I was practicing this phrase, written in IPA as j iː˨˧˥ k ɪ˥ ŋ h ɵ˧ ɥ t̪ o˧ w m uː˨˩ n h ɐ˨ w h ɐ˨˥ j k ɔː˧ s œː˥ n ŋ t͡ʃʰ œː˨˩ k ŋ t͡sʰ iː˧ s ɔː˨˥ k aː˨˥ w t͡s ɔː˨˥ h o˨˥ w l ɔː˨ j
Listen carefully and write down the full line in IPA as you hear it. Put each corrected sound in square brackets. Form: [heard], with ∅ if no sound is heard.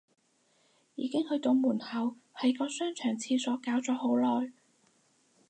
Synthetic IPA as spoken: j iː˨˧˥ k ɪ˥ ŋ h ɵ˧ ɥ t̪ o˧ w m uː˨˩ n h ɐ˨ w h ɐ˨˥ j k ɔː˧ s œː˥ [∅] ŋ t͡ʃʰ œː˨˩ [∅] ŋ t͡sʰ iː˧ s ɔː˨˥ k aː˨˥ w t͡s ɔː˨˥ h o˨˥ w l ɔː˨ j